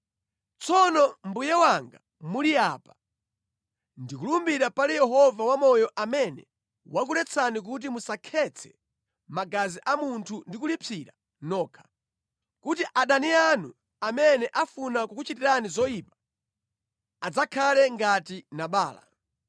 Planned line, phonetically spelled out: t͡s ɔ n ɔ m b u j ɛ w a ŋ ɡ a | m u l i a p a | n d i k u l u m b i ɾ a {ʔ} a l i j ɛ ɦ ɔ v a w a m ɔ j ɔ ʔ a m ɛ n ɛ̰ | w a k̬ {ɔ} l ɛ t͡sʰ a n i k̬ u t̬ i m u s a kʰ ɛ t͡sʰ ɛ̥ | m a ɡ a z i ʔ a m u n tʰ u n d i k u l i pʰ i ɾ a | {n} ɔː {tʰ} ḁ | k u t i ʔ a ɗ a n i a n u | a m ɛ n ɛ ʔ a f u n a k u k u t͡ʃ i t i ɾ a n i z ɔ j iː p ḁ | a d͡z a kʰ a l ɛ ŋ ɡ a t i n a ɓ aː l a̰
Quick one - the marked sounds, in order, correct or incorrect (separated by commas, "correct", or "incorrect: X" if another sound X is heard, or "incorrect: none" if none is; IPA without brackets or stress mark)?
incorrect: p, incorrect: u, correct, incorrect: kʰ